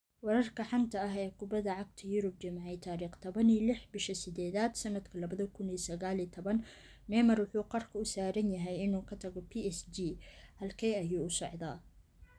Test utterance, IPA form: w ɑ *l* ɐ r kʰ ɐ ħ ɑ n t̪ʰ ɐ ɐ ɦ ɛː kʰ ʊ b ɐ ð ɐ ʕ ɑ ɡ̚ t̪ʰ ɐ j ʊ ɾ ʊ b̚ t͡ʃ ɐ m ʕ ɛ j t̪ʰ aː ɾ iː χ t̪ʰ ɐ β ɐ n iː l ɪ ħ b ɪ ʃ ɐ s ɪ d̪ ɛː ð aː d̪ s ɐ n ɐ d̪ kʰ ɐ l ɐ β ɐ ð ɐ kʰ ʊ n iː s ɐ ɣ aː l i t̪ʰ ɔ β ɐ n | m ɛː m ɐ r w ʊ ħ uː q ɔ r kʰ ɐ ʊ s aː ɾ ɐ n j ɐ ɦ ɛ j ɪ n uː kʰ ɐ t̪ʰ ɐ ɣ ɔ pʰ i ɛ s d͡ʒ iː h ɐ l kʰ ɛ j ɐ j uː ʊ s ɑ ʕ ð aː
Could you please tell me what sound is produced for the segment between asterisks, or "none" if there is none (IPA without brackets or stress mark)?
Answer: ɾ